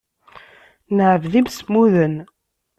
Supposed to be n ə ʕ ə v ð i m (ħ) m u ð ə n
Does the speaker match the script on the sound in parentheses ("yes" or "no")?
no